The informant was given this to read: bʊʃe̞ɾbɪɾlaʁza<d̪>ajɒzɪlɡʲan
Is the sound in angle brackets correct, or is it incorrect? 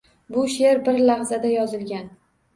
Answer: correct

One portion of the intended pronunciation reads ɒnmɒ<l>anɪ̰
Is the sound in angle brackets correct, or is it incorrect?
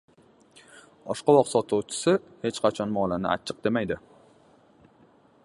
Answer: correct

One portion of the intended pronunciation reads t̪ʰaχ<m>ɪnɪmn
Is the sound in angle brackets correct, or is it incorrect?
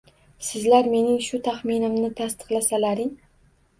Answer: correct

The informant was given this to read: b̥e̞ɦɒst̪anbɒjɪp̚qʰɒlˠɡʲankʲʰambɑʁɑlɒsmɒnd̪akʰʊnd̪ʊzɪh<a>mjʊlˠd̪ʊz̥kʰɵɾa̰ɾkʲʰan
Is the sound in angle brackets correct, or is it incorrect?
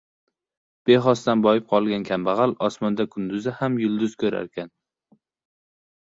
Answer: correct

